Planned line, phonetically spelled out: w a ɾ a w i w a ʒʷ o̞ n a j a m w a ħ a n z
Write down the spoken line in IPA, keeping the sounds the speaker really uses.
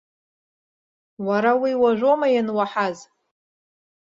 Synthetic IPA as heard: w a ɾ a w i w a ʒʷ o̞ m a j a n w a ħ a z

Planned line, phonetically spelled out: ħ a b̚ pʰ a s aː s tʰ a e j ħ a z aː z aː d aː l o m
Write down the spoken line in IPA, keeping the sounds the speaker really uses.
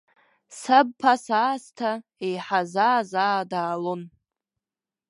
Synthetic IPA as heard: s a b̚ pʰ a s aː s tʰ a e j ħ a z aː z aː d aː l o n

